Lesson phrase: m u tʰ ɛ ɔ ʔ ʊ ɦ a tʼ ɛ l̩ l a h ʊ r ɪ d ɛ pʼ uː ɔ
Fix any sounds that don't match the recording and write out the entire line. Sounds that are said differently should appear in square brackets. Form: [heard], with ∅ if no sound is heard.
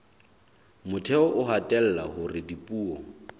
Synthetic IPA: m [ʊ] tʰ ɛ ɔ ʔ ʊ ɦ a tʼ ɛ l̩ l a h ʊ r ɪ d [i] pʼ uː ɔ